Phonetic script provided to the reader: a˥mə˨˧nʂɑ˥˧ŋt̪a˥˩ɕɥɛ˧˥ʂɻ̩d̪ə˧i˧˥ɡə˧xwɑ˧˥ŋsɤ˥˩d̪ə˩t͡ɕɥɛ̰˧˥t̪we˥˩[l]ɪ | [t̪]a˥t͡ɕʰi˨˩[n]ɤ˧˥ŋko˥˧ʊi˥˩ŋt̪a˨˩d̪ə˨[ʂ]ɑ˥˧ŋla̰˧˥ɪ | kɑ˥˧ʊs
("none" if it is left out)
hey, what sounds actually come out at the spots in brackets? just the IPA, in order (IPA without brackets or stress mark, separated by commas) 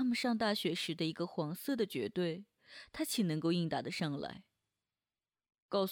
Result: none, t̪ʰ, n, ʂ